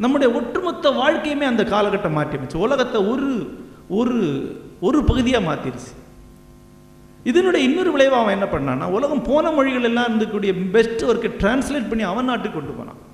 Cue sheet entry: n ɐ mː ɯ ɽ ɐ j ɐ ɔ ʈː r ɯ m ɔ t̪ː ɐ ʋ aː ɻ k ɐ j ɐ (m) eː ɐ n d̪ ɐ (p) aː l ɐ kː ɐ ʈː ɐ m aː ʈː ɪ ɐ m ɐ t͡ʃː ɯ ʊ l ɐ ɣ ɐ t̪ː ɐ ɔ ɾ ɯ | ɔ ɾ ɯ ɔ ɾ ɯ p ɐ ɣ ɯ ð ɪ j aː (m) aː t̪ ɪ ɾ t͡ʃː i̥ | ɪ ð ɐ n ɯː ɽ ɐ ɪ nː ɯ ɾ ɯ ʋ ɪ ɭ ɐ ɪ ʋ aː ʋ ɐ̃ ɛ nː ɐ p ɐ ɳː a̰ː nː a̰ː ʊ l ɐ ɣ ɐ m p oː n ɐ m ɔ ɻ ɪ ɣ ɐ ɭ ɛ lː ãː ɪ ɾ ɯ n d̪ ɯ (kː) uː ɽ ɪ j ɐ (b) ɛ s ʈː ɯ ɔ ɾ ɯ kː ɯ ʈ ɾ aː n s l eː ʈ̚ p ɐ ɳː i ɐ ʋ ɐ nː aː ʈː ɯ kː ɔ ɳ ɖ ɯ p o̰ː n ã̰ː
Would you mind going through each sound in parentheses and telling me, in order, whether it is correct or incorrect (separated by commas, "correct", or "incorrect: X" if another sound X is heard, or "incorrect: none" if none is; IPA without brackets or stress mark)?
correct, incorrect: k, correct, correct, correct